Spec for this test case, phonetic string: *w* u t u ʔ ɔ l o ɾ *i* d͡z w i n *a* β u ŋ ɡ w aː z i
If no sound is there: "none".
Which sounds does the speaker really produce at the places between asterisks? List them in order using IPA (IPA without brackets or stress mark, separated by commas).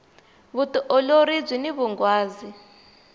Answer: β, i, i